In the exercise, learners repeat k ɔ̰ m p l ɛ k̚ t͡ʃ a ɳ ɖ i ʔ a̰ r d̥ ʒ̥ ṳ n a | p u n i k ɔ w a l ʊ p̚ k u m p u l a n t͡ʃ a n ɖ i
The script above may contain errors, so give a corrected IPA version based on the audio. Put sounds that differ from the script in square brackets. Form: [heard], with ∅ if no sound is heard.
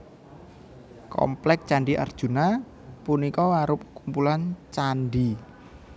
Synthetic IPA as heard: k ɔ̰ m p l ɛ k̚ t͡ʃ a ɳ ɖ i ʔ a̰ r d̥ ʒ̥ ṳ n a | p u n i k ɔ w a [ɾ] ʊ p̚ k u m p u l a n t͡ʃ a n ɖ i